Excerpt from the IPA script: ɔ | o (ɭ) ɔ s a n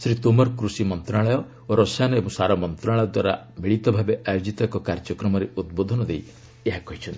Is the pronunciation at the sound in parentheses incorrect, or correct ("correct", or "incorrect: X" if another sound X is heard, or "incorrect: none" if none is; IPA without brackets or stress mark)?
incorrect: ɾ